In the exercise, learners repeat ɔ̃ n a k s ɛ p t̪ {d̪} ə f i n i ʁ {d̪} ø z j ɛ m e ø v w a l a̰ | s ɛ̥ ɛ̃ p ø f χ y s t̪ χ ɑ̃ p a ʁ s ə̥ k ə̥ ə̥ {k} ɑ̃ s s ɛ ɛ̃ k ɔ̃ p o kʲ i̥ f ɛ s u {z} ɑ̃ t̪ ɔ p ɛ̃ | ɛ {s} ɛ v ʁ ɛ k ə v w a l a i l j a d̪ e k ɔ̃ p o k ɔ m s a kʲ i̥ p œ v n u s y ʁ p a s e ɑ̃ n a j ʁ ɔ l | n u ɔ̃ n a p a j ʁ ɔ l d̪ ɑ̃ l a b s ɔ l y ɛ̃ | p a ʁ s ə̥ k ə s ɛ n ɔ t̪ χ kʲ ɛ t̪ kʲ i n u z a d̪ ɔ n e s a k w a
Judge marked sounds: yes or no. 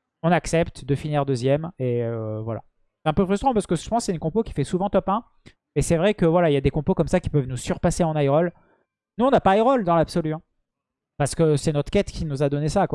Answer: yes, yes, no, no, yes

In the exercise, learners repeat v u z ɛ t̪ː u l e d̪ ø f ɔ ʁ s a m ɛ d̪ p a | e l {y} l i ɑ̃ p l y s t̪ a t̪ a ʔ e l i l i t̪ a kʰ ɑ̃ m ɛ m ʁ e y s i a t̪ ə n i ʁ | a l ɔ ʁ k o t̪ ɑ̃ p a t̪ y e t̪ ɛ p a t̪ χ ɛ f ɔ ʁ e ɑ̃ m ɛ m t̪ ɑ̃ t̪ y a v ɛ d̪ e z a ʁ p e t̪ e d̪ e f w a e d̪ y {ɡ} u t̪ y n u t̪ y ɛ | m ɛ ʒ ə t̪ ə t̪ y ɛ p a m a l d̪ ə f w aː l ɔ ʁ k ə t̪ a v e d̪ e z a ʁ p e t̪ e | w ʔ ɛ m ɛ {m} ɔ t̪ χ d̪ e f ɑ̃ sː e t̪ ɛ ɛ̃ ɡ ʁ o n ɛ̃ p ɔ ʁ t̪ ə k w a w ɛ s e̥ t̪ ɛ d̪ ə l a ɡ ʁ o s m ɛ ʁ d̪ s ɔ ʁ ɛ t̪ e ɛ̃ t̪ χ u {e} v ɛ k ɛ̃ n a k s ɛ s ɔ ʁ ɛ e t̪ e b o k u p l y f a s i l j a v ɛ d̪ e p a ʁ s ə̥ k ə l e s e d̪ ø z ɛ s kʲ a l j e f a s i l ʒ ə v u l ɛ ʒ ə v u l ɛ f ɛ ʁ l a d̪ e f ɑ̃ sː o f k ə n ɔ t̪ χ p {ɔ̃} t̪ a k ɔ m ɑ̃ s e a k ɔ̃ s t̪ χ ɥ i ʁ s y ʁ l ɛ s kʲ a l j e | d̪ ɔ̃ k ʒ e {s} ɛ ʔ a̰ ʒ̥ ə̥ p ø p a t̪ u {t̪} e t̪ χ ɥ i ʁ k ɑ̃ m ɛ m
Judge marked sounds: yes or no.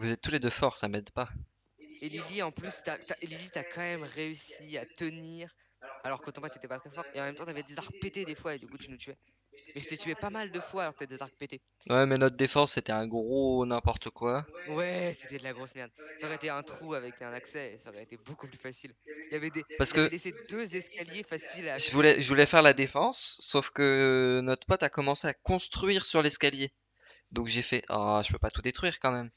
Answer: no, no, no, no, no, no, no

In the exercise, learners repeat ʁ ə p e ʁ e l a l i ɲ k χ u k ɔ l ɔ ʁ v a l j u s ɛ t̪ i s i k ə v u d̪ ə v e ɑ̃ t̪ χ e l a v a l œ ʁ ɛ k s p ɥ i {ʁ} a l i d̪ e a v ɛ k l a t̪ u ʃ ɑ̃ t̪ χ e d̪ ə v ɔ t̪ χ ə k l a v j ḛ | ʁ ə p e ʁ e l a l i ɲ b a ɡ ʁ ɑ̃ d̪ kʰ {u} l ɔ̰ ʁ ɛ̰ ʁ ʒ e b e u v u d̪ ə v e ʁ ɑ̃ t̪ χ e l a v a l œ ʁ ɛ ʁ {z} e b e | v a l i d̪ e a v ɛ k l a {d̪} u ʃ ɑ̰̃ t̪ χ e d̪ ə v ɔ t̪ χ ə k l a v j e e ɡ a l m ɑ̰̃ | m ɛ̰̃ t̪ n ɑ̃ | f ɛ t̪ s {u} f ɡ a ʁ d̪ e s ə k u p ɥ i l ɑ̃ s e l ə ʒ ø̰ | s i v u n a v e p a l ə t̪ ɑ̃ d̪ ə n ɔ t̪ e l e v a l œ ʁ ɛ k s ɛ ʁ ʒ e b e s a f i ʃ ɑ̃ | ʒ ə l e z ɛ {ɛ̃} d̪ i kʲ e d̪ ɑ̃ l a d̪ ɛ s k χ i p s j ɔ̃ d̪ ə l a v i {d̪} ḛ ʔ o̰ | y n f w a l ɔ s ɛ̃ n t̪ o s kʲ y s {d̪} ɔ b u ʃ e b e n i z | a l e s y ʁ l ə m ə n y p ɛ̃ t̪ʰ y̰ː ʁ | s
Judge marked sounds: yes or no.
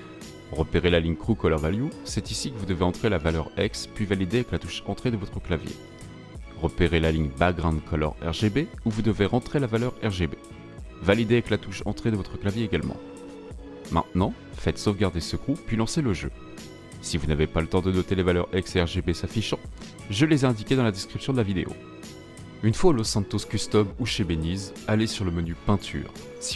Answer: no, no, no, no, no, yes, yes, no

